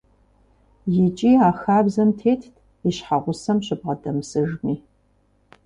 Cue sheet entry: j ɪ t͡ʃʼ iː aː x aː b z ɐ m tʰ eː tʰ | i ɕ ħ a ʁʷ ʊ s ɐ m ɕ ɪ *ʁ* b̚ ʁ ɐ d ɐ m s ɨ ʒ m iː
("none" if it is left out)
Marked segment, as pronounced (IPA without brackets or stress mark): none